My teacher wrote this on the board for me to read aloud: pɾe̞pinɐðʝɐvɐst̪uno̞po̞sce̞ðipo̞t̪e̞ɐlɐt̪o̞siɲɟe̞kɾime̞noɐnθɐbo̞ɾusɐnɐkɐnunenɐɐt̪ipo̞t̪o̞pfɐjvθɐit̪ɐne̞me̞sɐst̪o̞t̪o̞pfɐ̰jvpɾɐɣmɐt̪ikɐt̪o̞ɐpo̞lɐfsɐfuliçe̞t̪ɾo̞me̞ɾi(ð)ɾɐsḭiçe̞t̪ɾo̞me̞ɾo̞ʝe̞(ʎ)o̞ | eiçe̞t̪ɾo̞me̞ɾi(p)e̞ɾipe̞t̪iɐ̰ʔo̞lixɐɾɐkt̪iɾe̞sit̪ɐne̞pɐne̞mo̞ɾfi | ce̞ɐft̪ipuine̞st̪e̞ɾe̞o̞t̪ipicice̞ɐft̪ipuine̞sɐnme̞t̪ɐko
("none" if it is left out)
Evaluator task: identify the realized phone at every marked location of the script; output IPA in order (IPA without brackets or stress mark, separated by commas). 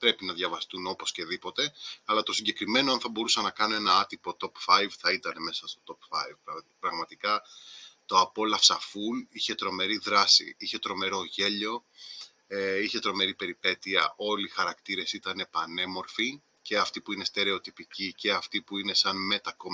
ð, ʎ, p